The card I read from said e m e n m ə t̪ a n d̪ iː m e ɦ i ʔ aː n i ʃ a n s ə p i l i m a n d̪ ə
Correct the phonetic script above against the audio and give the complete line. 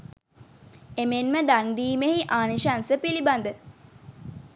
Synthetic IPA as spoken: e m e n m ə d̪ a n d̪ iː m e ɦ i ʔ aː n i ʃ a n s ə p i l i b a n d̪ ə